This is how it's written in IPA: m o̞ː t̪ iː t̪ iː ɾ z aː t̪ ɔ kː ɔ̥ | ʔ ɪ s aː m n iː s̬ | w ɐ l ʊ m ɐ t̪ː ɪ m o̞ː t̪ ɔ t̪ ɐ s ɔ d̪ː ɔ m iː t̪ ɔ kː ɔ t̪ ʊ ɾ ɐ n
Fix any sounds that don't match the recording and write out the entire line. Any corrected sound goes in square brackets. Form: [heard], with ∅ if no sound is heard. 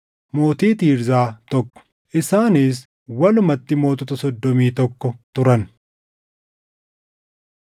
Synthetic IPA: m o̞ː t̪ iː t̪ iː ɾ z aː t̪ ɔ kː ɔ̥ | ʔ ɪ s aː [∅] n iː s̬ | w ɐ l ʊ m ɐ t̪ː ɪ m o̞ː t̪ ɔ t̪ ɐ s ɔ d̪ː ɔ m iː t̪ ɔ kː ɔ t̪ ʊ ɾ ɐ n